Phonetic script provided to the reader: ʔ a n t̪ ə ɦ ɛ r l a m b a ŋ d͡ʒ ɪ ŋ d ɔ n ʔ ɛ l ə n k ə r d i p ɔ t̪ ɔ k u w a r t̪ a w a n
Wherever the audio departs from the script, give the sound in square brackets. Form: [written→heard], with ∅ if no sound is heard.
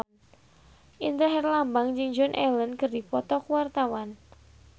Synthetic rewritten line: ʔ [a→i] n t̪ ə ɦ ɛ r l a m b a ŋ d͡ʒ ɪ ŋ [d→d͡ʒ] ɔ n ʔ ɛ l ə n k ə r d i p ɔ t̪ ɔ k u w a r t̪ a w a n

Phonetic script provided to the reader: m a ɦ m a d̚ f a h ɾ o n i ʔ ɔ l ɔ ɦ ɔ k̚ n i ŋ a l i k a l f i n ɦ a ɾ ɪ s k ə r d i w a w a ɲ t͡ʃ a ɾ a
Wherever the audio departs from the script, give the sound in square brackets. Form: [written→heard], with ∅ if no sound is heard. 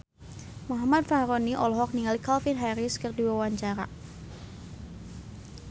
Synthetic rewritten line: m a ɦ m a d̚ f a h ɾ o n i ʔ ɔ l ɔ ɦ ɔ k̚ n i ŋ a l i k a l f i n ɦ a ɾ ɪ s k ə r d i w a w a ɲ t͡ʃ a ɾ a

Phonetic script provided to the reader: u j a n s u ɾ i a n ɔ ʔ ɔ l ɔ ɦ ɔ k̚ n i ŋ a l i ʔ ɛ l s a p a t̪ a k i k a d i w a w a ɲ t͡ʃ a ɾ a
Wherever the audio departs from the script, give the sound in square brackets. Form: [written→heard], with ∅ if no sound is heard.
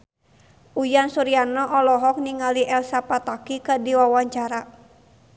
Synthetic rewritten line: u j a n s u ɾ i a n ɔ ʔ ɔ l ɔ ɦ ɔ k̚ n i ŋ a l i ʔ ɛ l s a p a t̪ a k i k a d i w a w a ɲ t͡ʃ a ɾ a

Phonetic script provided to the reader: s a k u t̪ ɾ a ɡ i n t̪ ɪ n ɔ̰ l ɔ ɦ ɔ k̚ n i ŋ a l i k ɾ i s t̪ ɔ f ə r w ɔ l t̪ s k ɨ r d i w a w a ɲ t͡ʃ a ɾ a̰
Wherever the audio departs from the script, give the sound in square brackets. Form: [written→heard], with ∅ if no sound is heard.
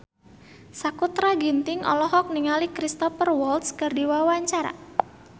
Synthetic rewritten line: s a k u t̪ ɾ a ɡ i n t̪ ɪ [n→ŋ] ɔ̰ l ɔ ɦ ɔ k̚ n i ŋ a l i k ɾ i s t̪ ɔ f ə r w ɔ l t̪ s k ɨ r d i w a w a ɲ t͡ʃ a ɾ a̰

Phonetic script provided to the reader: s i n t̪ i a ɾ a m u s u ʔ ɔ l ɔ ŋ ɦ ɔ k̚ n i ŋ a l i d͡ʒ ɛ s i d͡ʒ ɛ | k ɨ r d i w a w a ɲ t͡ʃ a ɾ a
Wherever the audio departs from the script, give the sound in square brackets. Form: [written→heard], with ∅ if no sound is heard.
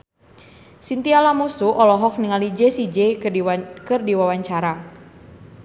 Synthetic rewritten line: s i n t̪ i a [ɾ→l] a m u s u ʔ ɔ l ɔ [ŋ→∅] ɦ ɔ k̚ n i ŋ a l i d͡ʒ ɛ s i d͡ʒ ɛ | k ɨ r d i w a w a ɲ t͡ʃ a ɾ a

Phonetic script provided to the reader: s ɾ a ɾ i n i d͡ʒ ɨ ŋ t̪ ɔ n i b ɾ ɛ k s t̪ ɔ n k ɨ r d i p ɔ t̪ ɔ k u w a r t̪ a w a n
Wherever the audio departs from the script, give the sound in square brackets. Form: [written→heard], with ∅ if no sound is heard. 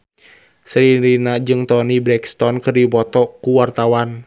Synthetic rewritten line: s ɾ [a→i] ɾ i n [i→a] d͡ʒ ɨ ŋ t̪ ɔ n i b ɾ ɛ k s t̪ ɔ n k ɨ r d i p ɔ t̪ ɔ k u w a r t̪ a w a n

